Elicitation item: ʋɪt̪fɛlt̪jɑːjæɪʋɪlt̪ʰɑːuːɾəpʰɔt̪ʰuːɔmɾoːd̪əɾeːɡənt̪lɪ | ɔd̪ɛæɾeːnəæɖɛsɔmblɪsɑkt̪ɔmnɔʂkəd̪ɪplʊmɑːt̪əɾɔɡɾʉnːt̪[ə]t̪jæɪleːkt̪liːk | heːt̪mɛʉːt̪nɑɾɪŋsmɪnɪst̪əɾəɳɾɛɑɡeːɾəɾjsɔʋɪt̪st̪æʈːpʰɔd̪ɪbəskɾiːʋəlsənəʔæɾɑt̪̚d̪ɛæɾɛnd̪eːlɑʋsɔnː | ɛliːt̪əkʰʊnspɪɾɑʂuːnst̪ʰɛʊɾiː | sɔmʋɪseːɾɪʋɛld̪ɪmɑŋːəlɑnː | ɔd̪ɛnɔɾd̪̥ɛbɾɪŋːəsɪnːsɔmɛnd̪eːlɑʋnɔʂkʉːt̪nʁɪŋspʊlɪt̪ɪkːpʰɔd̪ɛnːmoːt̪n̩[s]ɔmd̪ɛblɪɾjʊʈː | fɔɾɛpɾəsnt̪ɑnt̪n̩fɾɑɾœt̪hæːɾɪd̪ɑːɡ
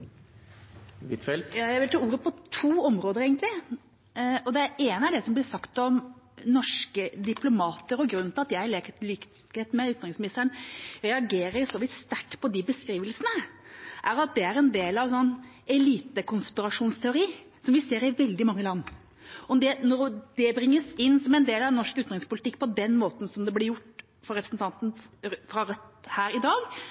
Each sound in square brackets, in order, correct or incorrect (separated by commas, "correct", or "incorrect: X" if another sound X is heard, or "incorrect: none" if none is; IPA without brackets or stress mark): incorrect: ɑ, correct